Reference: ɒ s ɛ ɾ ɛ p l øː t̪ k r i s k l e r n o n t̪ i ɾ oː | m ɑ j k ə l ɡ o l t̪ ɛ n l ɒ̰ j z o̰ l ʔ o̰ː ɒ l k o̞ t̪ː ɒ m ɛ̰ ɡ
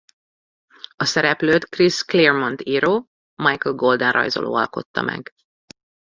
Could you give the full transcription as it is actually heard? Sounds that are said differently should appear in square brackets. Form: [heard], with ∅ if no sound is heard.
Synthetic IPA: ɒ s ɛ ɾ ɛ p l øː t̪ k r i s k l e r [m] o n t̪ i ɾ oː | m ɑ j k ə l ɡ o l [d̪] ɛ n [r] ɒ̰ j z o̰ l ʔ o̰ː ɒ l k o̞ t̪ː ɒ m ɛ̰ ɡ